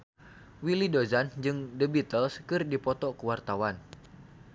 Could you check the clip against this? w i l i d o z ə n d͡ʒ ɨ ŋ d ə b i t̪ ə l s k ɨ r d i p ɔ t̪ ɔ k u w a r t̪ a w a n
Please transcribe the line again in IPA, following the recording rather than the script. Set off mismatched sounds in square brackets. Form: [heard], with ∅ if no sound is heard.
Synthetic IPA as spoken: w i l i d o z [a] n d͡ʒ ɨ ŋ d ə b i t̪ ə l s k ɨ r d i p ɔ t̪ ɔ k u w a r t̪ a w a n